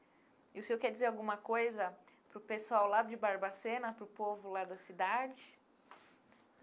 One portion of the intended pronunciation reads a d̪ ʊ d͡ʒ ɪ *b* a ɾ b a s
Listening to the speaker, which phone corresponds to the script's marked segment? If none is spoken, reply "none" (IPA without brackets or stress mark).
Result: b